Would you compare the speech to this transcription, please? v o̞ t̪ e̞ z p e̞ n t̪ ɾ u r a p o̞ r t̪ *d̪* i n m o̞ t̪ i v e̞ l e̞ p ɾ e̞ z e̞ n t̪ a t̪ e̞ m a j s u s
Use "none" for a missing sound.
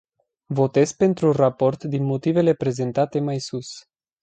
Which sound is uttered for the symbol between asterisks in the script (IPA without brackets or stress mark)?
d̪